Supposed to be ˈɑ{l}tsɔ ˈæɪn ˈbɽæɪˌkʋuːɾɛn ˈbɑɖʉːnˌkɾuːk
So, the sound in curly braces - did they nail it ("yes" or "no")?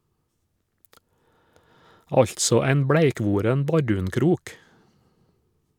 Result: no